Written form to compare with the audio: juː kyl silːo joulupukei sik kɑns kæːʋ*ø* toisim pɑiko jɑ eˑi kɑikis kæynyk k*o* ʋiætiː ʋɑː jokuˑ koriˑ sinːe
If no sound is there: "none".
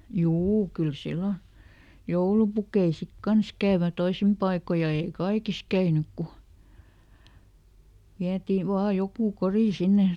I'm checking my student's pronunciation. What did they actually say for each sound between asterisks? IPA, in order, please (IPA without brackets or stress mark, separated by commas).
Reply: ø, u